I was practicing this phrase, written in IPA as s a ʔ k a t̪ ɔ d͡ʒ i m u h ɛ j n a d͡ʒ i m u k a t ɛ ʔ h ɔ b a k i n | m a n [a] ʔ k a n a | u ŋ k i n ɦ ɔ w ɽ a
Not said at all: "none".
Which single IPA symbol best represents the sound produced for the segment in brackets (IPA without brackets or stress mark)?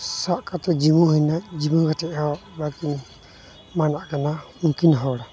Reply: a